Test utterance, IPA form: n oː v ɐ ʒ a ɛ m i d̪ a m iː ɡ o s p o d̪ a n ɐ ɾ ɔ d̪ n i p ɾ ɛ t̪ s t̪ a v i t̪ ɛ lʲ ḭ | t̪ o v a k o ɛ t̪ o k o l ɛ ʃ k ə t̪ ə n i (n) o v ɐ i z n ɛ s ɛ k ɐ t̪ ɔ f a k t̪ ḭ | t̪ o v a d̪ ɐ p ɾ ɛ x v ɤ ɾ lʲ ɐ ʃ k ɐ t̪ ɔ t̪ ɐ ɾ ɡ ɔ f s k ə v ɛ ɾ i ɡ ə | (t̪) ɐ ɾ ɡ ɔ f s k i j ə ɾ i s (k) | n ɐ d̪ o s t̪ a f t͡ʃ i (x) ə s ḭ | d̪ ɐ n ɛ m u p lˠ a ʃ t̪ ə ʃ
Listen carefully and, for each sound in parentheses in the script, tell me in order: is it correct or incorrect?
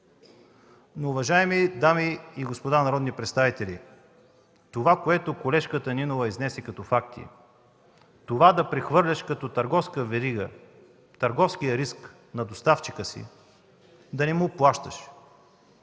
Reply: correct, correct, correct, incorrect

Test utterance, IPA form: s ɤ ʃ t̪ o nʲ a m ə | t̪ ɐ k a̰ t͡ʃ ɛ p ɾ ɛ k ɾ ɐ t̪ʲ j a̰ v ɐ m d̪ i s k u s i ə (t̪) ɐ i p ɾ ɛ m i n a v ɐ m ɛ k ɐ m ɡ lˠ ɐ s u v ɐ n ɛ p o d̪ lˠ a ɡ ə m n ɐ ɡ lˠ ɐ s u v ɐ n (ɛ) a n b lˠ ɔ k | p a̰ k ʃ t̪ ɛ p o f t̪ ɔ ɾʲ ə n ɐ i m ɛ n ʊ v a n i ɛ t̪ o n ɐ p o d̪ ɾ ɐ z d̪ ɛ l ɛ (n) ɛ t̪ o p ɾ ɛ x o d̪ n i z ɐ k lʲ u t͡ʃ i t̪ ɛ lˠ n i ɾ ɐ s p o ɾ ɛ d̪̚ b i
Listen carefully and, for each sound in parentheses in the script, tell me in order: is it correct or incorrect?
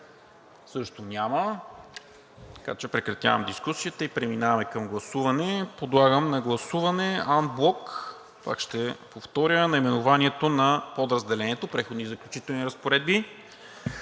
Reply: correct, correct, correct

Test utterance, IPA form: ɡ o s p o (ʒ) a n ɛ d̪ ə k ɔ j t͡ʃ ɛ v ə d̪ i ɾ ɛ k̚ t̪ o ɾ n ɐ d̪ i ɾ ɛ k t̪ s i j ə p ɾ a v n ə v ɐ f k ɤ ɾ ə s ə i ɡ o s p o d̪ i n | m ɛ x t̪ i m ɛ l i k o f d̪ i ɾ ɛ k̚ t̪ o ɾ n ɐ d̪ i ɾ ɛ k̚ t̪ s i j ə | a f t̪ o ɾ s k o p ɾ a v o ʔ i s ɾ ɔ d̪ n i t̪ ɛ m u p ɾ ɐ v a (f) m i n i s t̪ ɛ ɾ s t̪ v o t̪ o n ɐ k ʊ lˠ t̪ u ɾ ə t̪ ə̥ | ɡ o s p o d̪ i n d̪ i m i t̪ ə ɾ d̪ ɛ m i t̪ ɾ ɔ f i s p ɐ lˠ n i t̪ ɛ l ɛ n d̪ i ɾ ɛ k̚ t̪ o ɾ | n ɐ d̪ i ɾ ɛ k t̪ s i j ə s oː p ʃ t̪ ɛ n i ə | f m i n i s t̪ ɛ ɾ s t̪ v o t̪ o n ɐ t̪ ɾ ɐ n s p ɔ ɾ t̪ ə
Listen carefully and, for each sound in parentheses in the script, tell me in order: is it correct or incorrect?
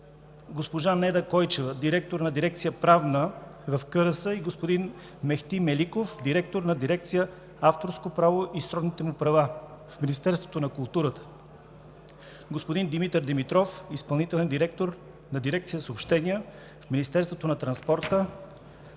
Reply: correct, correct

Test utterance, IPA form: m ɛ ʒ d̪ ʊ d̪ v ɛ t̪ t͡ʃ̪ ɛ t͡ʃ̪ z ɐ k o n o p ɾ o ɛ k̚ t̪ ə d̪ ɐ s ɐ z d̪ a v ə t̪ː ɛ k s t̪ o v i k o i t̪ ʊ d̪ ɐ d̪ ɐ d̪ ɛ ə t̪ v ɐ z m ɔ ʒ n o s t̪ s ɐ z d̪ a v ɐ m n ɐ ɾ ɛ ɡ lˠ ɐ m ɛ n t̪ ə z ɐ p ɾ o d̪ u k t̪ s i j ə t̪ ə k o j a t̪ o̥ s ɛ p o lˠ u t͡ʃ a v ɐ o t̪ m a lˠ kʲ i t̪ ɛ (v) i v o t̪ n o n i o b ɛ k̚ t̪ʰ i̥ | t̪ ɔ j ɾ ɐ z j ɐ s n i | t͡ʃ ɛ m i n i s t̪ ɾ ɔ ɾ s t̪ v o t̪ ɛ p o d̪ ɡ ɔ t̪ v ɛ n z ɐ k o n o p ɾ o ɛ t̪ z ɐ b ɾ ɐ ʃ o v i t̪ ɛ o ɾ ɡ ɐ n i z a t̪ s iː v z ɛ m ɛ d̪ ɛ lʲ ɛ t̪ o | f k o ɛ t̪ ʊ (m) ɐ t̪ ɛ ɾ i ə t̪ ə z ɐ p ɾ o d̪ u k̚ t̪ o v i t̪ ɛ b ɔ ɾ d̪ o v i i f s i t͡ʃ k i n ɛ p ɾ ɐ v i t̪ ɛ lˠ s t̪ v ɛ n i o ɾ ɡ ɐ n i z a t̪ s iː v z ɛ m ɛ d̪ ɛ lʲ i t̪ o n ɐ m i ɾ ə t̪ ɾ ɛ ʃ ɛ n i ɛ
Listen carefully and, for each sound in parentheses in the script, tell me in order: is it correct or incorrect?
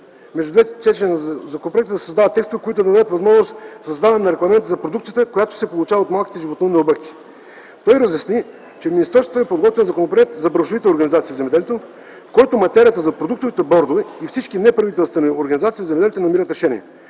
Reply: incorrect, correct

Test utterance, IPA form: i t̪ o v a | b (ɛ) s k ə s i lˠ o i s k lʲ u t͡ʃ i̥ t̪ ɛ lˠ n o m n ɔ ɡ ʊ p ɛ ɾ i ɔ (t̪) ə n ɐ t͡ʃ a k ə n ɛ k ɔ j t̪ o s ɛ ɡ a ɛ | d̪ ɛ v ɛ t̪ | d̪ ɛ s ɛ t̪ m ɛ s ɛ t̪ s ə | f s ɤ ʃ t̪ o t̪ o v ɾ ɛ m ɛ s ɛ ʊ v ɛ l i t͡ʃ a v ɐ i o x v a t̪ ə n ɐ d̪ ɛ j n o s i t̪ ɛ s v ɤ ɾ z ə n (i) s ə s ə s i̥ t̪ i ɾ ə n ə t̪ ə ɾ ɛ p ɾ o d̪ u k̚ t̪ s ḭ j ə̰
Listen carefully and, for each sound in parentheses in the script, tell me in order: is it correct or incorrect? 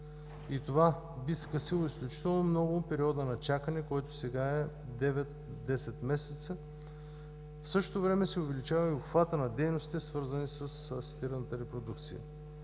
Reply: incorrect, incorrect, correct

